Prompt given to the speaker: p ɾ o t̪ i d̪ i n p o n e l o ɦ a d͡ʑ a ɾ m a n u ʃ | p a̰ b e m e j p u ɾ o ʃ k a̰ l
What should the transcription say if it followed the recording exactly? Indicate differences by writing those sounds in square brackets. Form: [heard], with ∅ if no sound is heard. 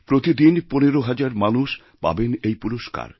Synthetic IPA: p ɾ o t̪ i d̪ i n p o n e [ɾ] o ɦ a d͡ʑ a ɾ m a n u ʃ | p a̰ b e [n] e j p u ɾ o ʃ k a̰ [ɾ]

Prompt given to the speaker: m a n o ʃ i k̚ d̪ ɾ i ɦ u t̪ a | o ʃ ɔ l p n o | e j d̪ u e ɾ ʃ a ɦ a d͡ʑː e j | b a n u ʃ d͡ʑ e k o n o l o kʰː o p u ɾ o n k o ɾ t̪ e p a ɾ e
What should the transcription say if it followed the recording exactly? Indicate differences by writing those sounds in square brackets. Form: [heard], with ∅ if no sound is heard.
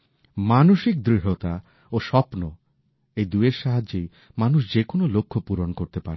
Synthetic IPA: m a n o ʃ i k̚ d̪ ɾ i ɦ [o] t̪ a | o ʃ ɔ [∅] p n o | e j d̪ u e ɾ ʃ a ɦ a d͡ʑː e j | [m] a n u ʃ d͡ʑ e k o n o l o kʰː o p u ɾ o n k o ɾ t̪ e p a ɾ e

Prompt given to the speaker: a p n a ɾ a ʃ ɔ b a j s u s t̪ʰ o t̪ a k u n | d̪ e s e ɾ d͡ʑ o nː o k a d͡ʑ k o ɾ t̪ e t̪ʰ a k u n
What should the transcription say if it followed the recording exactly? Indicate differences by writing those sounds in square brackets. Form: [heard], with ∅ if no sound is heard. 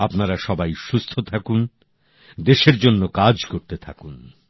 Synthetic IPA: a p n a ɾ a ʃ ɔ b a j [ʃ] u s t̪ʰ o [t̪ʰ] a k u n | d̪ e [ʃ] e ɾ d͡ʑ o nː o k a d͡ʑ k o ɾ t̪ e t̪ʰ a k u n

